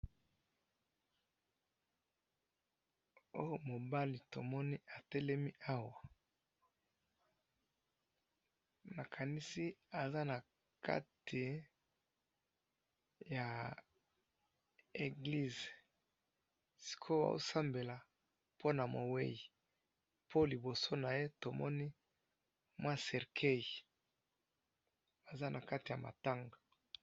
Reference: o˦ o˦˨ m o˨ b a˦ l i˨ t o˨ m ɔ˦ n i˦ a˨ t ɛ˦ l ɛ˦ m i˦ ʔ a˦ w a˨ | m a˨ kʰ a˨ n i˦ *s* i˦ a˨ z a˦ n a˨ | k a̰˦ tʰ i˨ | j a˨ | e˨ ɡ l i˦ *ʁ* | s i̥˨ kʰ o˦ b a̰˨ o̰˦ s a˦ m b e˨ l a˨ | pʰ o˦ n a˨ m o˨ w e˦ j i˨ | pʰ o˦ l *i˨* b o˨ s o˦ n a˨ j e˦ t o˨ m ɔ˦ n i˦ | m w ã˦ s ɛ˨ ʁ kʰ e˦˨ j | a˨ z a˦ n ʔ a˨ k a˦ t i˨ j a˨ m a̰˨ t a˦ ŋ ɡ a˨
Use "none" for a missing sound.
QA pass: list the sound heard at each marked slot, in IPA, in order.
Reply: s, z, i˨

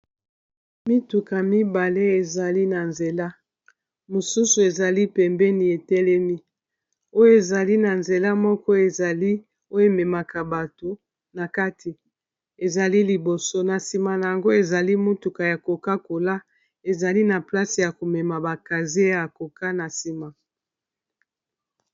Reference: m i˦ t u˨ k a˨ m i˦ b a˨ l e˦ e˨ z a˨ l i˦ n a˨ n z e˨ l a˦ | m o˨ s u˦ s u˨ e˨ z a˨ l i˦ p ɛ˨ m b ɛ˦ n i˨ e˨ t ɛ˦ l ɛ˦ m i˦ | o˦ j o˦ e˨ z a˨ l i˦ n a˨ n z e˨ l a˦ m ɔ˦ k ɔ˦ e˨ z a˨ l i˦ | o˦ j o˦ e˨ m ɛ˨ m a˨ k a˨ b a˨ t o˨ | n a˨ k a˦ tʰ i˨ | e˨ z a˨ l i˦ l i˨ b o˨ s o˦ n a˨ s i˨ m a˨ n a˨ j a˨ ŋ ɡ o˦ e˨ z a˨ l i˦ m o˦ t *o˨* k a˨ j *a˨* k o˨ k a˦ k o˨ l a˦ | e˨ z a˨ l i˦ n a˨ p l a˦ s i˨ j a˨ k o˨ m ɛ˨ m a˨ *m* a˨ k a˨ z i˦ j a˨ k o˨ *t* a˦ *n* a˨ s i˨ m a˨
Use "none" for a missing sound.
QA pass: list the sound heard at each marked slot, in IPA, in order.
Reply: u˨, a˨, b, k, n

